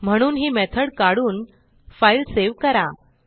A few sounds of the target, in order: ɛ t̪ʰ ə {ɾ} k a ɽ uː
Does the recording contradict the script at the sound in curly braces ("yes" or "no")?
yes